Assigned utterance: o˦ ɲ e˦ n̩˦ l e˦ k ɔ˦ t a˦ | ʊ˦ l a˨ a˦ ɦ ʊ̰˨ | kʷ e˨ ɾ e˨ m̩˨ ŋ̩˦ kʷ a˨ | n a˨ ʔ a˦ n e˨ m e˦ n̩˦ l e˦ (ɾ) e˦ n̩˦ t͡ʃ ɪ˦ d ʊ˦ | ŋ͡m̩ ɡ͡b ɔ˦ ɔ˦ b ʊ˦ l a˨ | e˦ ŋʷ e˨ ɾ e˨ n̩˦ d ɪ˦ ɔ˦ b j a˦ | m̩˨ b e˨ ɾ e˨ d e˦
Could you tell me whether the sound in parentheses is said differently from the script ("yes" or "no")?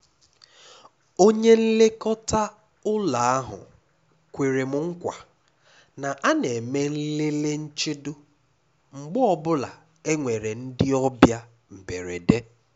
yes